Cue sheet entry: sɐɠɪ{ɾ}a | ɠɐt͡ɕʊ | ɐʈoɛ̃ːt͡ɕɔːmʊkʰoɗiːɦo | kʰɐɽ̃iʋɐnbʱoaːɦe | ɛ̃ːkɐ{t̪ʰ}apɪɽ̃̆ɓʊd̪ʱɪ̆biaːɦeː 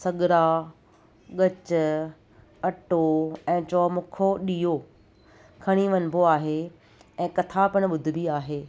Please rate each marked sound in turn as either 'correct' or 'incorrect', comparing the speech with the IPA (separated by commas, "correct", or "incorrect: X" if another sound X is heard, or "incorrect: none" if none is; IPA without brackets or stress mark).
correct, correct